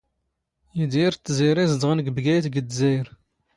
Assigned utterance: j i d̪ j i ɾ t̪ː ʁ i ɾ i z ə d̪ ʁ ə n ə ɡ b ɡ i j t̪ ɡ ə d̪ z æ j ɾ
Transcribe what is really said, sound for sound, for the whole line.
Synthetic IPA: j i d̪ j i ɾ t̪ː z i ɾ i z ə d̪ ʁ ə n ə ɡ b ɡ æ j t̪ ɡ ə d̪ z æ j ɾ